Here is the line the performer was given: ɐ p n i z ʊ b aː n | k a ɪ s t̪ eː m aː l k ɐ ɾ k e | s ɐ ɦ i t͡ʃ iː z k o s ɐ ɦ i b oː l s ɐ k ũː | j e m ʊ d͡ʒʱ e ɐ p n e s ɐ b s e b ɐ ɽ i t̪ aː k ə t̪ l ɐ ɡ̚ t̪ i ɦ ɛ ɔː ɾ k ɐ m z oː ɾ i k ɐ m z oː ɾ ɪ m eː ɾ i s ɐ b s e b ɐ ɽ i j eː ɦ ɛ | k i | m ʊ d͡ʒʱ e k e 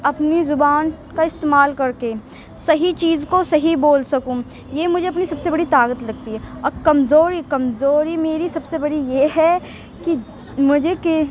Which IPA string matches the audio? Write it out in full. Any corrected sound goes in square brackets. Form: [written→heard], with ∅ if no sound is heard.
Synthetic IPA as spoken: ɐ p n i z ʊ b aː n | k a ɪ s t̪ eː m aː l k ɐ ɾ k e | s ɐ ɦ i t͡ʃ iː z k o s ɐ ɦ i b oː l s ɐ k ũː | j e m ʊ d͡ʒʱ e ɐ p n [e→i] s ɐ b s e b ɐ ɽ i t̪ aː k ə t̪ l ɐ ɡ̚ t̪ i ɦ ɛ ɔː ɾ k ɐ m z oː ɾ i k ɐ m z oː ɾ [ɪ→i] m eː ɾ i s ɐ b s e b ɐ ɽ i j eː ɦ ɛ | k i | m ʊ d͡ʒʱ e k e